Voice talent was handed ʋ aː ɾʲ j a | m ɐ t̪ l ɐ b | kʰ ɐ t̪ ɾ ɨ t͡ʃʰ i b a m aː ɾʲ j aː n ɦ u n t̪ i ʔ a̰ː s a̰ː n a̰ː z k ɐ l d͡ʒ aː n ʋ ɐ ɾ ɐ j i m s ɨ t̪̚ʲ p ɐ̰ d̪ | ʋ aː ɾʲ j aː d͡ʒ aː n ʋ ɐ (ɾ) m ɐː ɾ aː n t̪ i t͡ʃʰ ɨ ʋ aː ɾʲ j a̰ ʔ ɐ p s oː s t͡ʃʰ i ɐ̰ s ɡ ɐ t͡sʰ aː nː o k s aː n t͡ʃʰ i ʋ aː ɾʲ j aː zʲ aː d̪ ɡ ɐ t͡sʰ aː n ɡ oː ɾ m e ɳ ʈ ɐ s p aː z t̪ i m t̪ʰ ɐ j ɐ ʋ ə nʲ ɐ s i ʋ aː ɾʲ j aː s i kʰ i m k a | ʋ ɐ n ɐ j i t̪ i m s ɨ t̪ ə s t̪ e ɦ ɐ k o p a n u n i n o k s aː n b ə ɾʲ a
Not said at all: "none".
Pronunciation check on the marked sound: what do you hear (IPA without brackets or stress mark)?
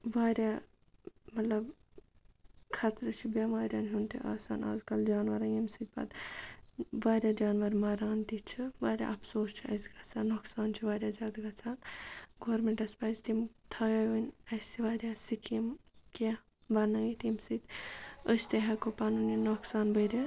ɾ